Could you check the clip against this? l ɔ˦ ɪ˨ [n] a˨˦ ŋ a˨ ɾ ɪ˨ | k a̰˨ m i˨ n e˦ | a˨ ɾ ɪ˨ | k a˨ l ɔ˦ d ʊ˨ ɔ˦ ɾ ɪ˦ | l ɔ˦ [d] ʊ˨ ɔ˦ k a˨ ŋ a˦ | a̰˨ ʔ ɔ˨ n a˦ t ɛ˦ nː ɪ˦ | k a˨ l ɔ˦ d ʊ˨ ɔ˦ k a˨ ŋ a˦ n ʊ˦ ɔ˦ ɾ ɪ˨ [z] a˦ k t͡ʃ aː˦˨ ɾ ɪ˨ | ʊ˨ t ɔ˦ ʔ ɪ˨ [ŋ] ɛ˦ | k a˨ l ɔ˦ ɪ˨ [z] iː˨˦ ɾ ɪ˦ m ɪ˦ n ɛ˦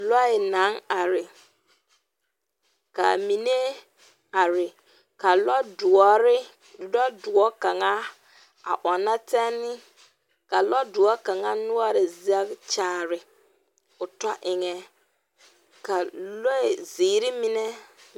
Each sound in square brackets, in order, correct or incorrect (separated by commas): correct, correct, correct, correct, correct